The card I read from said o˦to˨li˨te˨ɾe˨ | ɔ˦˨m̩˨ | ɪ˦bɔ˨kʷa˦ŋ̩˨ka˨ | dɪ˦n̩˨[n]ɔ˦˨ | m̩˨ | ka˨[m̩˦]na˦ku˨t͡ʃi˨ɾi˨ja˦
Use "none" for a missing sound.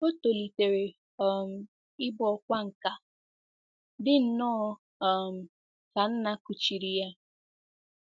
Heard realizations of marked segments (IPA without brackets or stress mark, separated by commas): n, n̩˦